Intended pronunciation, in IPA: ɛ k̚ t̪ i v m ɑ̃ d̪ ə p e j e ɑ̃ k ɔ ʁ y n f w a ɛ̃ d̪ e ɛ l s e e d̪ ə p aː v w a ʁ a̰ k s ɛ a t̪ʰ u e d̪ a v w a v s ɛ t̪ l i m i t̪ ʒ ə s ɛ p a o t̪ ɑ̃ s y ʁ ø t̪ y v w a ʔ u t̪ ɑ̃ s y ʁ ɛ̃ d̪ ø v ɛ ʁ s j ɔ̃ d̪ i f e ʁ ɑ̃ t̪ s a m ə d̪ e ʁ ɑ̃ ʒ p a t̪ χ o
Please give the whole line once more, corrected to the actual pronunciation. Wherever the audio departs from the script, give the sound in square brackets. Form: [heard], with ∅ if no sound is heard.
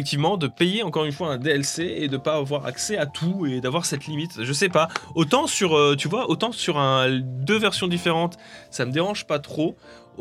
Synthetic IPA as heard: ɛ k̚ t̪ i v m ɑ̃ d̪ ə p e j e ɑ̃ k ɔ ʁ y n f w a ɛ̃ d̪ e ɛ l s e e d̪ ə p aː v w a ʁ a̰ k s ɛ a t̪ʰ u e d̪ a v w a [ʁ] s ɛ t̪ l i m i t̪ ʒ ə s ɛ p a o t̪ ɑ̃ s y ʁ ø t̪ y v w a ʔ [o] t̪ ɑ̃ s y ʁ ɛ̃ d̪ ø v ɛ ʁ s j ɔ̃ d̪ i f e ʁ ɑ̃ t̪ s a m ə d̪ e ʁ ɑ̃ ʒ p a t̪ χ o